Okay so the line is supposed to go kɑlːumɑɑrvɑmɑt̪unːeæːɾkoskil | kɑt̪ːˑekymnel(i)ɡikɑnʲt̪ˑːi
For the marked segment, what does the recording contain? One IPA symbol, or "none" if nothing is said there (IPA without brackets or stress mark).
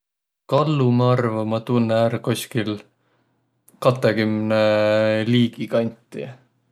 iː